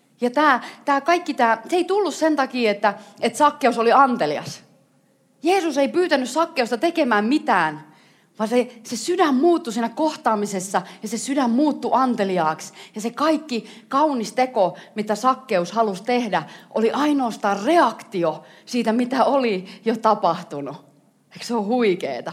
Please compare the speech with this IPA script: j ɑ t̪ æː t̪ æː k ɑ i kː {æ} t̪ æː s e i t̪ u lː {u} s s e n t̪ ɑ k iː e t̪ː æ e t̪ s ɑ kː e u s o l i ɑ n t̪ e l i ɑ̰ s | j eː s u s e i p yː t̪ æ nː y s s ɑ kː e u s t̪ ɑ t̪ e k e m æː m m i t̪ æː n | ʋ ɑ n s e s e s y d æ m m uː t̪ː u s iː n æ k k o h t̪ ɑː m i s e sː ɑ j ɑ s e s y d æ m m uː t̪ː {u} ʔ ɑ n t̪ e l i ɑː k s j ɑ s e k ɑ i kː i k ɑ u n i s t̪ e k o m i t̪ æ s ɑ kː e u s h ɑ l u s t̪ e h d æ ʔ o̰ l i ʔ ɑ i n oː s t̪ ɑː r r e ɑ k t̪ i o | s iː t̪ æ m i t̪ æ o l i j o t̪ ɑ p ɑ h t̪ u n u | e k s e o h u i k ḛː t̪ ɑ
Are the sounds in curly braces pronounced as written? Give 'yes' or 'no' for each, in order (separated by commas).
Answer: no, yes, yes